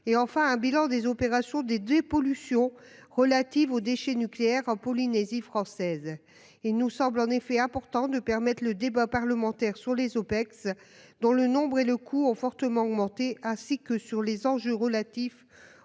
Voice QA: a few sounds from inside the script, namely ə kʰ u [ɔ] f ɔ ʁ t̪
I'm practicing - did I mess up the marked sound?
yes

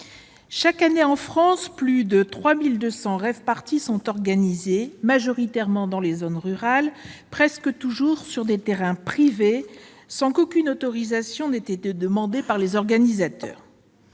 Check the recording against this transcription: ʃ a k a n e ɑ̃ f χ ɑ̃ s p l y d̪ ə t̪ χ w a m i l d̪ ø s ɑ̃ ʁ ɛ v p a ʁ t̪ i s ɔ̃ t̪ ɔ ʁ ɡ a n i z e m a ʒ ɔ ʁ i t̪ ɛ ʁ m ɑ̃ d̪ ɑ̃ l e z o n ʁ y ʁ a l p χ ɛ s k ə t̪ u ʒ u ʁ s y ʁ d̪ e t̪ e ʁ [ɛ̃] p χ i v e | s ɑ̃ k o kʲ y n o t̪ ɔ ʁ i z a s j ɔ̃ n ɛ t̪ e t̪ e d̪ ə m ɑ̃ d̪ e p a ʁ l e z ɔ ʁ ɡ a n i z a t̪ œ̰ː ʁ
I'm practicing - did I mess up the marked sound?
no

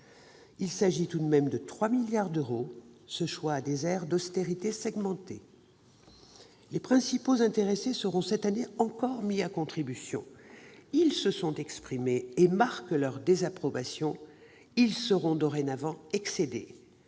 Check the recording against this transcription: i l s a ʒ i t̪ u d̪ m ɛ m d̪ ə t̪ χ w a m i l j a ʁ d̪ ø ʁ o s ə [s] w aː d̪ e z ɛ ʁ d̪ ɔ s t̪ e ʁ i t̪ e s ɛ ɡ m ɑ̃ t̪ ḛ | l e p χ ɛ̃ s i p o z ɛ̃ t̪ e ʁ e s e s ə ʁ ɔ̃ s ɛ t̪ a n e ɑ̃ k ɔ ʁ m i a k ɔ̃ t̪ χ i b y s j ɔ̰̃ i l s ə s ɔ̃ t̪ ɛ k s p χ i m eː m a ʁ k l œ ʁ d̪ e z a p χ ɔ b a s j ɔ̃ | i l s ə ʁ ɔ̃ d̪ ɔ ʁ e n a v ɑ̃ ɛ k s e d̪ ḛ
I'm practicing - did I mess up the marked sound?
yes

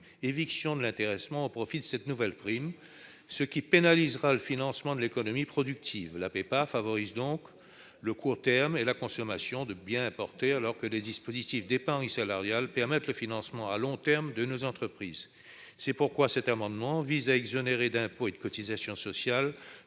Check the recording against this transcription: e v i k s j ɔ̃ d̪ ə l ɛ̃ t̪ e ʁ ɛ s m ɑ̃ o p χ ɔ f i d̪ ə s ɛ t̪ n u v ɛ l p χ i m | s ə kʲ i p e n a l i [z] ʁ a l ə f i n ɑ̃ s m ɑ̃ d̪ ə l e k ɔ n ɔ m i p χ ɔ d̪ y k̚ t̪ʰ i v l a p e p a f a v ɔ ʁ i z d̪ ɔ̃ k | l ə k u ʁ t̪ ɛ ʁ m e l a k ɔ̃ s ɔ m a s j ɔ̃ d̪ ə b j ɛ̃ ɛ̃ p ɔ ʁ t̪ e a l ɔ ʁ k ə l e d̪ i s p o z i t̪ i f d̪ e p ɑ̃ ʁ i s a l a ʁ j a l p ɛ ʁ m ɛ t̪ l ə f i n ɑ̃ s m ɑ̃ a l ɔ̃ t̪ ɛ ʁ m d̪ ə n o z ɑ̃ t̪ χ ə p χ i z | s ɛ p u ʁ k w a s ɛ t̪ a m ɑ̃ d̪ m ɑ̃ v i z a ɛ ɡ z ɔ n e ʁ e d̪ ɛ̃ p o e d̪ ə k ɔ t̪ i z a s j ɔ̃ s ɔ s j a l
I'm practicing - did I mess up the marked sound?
no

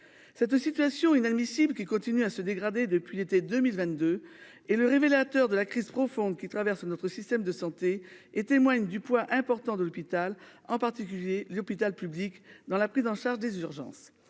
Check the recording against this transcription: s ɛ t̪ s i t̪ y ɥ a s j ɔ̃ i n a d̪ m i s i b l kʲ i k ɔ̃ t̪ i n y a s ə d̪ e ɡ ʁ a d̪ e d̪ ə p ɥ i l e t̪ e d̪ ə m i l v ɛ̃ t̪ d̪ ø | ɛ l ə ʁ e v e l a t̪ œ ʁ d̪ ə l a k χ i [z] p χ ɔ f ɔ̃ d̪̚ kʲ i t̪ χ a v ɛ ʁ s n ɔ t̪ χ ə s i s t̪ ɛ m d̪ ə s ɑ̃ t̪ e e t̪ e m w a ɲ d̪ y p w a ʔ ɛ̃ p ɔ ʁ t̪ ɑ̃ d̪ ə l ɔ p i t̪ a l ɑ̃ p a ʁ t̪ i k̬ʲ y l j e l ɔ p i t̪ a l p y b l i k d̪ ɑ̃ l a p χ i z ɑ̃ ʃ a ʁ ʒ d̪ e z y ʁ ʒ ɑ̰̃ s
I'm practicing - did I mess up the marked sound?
no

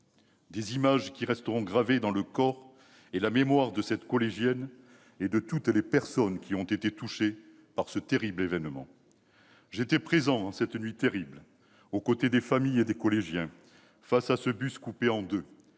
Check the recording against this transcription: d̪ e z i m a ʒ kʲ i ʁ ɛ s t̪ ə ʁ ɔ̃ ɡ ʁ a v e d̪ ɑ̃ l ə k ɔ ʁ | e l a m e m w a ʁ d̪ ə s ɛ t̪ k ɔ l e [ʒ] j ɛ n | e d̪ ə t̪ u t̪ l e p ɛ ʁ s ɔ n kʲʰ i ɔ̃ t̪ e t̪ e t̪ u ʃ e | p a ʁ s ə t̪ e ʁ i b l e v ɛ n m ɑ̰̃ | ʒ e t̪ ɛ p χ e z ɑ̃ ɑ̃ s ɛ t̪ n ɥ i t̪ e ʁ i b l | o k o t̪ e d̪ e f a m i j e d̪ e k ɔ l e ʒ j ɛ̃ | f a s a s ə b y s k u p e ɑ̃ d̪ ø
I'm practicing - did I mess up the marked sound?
no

